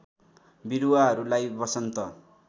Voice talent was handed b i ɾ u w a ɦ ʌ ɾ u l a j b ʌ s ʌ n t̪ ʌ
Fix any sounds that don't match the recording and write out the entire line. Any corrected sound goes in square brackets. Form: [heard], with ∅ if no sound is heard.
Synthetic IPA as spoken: b i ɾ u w a ɦ ʌ ɾ u l a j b ʌ s ʌ n t̪ ʌ